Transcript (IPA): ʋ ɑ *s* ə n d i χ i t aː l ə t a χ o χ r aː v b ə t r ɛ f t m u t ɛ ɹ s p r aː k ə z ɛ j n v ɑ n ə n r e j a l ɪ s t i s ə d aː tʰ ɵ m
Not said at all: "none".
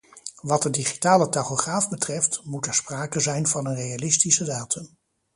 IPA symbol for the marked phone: t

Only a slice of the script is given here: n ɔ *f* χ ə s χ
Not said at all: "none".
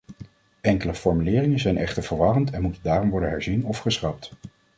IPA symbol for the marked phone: f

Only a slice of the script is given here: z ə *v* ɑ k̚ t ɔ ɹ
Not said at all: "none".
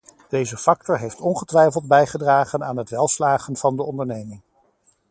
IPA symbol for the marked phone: f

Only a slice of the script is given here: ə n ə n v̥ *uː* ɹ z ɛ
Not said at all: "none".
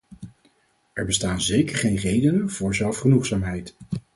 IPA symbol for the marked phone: ʊː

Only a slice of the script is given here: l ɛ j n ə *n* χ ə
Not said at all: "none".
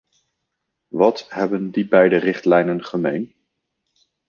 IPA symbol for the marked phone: n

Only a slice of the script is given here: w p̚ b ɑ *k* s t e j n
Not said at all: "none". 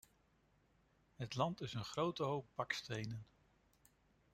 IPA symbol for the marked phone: k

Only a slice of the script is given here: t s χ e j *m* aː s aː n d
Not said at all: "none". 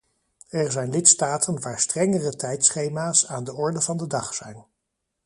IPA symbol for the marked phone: m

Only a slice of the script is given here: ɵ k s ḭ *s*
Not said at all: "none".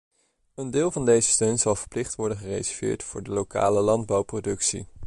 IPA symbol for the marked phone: none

